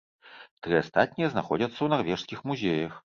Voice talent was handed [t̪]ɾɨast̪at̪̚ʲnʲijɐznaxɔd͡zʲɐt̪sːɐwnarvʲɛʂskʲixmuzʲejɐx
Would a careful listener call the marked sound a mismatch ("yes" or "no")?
no